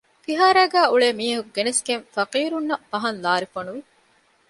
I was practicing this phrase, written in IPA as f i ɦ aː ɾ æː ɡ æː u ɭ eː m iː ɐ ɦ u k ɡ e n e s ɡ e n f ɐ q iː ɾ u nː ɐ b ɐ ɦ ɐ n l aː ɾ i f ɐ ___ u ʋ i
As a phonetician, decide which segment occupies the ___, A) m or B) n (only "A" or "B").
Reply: B